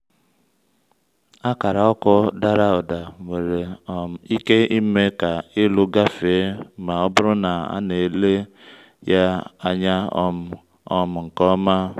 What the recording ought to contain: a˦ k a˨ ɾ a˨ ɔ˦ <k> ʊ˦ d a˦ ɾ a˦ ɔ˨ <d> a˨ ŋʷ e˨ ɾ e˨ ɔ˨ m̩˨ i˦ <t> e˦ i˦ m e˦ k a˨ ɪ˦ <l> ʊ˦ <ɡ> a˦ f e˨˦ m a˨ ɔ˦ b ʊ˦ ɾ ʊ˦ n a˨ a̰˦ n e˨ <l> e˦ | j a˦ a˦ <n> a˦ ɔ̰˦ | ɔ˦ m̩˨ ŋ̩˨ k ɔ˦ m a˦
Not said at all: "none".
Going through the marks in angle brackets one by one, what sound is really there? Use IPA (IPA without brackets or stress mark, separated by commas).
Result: k, d, k, l, ɡ, l, ɲ